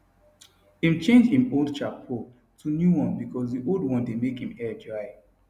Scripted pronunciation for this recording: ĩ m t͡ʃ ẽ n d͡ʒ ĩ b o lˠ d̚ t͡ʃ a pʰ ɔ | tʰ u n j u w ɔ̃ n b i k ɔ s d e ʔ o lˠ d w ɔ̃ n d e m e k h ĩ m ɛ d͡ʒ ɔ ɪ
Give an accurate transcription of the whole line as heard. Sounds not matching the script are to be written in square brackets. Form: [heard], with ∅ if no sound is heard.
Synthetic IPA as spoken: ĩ m t͡ʃ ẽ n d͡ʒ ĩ [m] o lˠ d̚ t͡ʃ a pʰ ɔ | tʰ u n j u w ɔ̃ n b i k ɔ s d [i] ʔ o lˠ d w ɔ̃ n d e m e k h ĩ m ɛ d͡ʒ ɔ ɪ